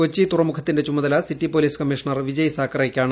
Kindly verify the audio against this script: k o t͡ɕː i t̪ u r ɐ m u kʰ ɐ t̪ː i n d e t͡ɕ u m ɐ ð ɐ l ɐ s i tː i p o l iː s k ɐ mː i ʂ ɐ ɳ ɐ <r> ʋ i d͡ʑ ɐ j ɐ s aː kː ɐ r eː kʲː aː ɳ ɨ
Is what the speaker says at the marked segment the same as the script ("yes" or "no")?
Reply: yes